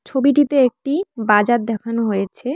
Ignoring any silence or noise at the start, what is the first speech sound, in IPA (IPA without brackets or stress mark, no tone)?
t͡ɕʰ